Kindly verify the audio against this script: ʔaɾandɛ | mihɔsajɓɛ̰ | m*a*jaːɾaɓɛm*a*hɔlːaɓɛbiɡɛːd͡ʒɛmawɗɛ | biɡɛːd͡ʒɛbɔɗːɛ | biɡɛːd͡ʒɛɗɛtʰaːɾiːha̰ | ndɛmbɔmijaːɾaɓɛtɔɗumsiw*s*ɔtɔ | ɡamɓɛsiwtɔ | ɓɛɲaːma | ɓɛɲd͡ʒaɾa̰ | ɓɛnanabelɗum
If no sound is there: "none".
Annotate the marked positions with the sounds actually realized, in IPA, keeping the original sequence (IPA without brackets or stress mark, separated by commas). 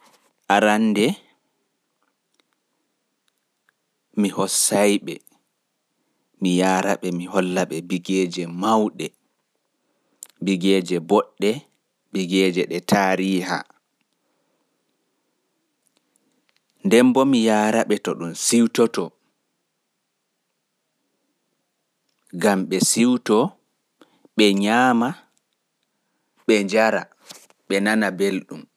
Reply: i, i, t